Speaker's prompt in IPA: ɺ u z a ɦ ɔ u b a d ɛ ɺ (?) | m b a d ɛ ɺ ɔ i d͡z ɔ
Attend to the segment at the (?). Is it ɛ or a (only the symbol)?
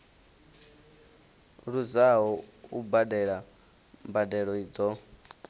a